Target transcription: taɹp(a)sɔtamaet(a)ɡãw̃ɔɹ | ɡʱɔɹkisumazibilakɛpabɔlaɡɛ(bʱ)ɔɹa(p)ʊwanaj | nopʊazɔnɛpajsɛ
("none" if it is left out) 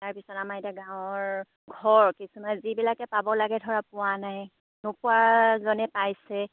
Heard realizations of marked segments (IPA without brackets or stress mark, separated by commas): i, a, dʱ, p